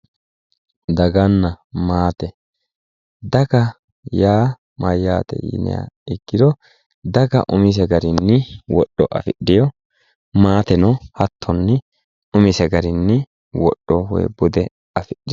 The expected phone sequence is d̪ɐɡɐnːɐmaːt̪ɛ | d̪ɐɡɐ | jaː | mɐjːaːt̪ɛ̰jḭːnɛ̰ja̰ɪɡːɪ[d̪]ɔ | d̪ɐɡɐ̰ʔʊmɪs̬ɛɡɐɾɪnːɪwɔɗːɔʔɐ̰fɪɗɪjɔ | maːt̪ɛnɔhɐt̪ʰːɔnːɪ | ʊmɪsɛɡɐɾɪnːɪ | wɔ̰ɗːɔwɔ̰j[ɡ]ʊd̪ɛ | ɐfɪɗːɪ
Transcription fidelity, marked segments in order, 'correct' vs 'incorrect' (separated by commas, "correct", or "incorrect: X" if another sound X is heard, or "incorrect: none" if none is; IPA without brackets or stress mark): correct, incorrect: b